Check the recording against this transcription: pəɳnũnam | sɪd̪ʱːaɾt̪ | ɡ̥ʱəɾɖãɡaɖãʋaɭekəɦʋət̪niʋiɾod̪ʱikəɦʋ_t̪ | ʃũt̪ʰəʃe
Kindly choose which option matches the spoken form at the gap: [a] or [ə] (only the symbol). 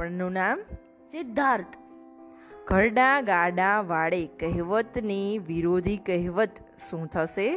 ə